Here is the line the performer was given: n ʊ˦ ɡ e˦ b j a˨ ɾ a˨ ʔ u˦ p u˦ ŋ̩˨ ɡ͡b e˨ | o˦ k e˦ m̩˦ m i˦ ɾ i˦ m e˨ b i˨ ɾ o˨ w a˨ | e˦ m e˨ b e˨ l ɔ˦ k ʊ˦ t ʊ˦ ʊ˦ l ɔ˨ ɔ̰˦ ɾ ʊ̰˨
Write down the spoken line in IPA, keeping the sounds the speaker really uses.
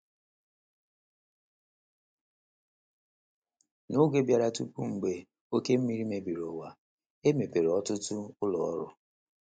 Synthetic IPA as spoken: n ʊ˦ ɡ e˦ b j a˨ ɾ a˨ t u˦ p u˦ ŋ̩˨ ɡ͡b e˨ | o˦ k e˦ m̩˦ m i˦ ɾ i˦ m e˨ b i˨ ɾ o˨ w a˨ | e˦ m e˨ p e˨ ɾ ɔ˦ t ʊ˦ t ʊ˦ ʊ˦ l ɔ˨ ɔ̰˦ ɾ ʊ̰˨